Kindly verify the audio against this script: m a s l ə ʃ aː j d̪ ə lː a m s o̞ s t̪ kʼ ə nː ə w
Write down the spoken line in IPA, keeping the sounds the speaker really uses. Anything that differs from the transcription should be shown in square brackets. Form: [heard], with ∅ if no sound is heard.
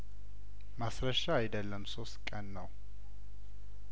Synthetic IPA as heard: m a s [ɾ] ə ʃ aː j d̪ ə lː [ə] m s o̞ s t̪ kʼ ə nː ə w

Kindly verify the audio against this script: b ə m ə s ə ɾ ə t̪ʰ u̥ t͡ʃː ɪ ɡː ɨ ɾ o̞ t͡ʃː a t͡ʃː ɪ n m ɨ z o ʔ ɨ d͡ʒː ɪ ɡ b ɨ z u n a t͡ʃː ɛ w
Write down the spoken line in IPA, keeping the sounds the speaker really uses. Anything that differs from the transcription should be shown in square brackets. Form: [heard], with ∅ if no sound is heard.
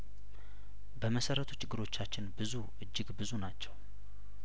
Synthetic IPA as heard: b ə m ə s ə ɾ ə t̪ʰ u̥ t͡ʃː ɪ ɡː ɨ ɾ o̞ t͡ʃː a t͡ʃː ɪ n [b] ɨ z [u] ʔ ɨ d͡ʒː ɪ ɡ b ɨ z u n a t͡ʃː ɛ w

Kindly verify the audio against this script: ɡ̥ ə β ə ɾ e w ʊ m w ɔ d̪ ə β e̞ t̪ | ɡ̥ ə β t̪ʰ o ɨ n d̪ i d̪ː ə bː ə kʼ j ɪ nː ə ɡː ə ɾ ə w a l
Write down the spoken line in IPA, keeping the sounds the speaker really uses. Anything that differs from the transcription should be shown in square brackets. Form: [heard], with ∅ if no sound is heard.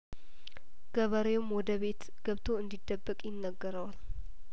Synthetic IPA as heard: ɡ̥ ə β ə ɾ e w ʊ m w ɔ d̪ ə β e̞ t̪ | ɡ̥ ə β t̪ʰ o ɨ n d̪ i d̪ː ə bː ə kʼ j ɪ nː ə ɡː ə ɾ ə w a l

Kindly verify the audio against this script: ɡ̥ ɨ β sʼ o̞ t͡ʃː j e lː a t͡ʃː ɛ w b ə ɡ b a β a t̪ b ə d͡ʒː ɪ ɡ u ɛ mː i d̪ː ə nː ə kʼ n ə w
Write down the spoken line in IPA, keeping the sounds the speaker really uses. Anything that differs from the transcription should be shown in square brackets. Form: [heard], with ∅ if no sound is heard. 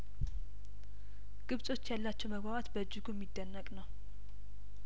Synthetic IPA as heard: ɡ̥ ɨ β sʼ o̞ t͡ʃː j [a] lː a t͡ʃː ɛ w [m] ə ɡ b a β a t̪ b ə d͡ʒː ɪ ɡ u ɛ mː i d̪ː ə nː ə kʼ n ə w

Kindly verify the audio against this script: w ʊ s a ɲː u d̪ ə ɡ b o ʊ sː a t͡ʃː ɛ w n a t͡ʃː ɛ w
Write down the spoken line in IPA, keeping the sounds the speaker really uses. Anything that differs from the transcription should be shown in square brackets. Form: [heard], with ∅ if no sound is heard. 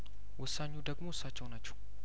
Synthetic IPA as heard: w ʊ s a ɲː u d̪ ə ɡ [m] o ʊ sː a t͡ʃː ɛ w n a t͡ʃː ɛ w

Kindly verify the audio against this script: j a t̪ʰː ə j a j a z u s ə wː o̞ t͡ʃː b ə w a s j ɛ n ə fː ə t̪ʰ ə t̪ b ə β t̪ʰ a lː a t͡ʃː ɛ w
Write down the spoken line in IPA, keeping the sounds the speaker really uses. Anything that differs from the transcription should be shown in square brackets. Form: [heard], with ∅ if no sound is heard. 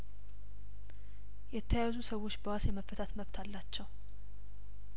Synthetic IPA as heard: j [ɛ] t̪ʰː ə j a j a z u s ə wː o̞ t͡ʃː b ə w a s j ɛ [m] ə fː ə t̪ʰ [a] t̪ [m] ə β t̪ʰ a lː a t͡ʃː ɛ w

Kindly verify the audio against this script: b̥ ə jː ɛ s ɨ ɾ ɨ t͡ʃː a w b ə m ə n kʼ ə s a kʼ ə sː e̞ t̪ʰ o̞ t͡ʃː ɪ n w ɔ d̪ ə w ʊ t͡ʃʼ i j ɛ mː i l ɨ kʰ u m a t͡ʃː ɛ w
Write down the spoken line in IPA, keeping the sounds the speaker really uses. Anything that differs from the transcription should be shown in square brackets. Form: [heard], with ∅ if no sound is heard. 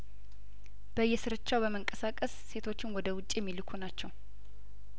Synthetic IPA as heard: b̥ ə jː ɛ s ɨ ɾ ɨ t͡ʃː a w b ə m ə [ŋ] kʼ ə s a kʼ ə sː e̞ t̪ʰ o̞ t͡ʃː ɪ n w ɔ d̪ ə w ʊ t͡ʃʼ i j ɛ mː i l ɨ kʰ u [n] a t͡ʃː ɛ w

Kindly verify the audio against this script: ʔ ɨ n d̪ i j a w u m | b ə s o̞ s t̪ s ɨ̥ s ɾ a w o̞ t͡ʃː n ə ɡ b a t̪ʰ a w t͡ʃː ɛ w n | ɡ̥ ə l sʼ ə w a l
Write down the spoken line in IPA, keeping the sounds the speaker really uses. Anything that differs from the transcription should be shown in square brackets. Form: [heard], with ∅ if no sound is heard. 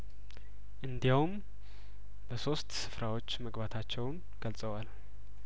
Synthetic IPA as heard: ʔ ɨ n d̪ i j a w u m | b ə s o̞ s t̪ s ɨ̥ [f] ɾ a w o̞ t͡ʃː [m] ə ɡ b a t̪ʰ a [∅] t͡ʃː ɛ w n | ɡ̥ ə l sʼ ə w a l

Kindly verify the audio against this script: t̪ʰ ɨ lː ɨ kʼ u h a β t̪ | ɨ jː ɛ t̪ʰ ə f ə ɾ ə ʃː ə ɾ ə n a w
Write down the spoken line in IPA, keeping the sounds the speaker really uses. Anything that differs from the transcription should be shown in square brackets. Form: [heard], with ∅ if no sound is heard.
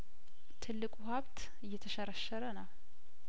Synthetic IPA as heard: t̪ʰ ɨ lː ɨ kʼ u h a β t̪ | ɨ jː ɛ t̪ʰ ə [ʃ] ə ɾ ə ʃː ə ɾ ə n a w

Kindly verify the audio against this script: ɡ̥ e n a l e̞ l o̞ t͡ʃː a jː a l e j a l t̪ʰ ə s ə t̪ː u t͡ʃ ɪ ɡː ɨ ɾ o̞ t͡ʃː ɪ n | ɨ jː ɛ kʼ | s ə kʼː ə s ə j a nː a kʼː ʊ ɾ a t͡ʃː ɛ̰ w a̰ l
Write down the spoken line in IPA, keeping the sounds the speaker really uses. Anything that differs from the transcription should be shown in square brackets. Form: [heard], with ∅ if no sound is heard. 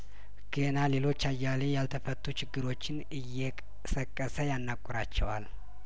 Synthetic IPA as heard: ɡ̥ e n a l e̞ l o̞ t͡ʃː a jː a l e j a l t̪ʰ ə [f] ə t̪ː u t͡ʃ ɪ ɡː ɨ ɾ o̞ t͡ʃː ɪ n | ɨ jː ɛ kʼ | s ə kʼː ə s ə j a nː a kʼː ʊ ɾ a t͡ʃː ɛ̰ w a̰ l

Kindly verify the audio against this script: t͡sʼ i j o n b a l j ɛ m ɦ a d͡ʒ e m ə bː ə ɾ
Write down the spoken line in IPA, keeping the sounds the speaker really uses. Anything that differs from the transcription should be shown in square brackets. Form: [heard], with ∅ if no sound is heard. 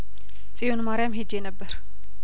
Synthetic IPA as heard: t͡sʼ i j o n [m] a [ɾ] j [a] m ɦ [e] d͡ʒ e [n] ə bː ə ɾ

